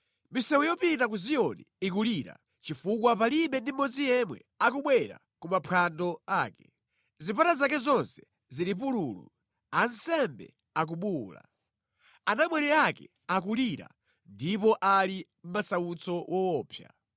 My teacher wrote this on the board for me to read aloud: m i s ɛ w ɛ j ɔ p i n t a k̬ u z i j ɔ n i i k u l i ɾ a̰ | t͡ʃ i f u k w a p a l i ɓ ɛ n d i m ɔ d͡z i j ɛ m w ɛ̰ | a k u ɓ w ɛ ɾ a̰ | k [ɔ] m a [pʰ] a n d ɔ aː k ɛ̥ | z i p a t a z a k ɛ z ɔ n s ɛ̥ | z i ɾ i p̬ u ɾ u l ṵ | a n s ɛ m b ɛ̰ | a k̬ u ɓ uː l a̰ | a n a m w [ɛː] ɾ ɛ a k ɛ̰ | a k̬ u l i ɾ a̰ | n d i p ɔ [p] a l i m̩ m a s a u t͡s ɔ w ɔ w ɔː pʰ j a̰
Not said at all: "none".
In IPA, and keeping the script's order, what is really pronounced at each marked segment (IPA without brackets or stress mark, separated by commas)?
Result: u, pʰ, ɛ, ʔ